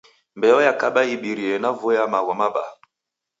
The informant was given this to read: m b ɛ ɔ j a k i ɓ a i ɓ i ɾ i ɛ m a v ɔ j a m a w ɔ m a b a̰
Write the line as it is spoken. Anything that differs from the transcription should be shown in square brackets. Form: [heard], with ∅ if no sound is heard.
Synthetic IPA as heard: m b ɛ ɔ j a k [a] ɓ a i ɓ i ɾ i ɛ [n] a v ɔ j a m a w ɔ m a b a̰